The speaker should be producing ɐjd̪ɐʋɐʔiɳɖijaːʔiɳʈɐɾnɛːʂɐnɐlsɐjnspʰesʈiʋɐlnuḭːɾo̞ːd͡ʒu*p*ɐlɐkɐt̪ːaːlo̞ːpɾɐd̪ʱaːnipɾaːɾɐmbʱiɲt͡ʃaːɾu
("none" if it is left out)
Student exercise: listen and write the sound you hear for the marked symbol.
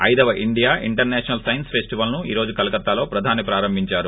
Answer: k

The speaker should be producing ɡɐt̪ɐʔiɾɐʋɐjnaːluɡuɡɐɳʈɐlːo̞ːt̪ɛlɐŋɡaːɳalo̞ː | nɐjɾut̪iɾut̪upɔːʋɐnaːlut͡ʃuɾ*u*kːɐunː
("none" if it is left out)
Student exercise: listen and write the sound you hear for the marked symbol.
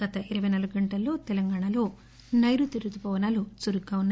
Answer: u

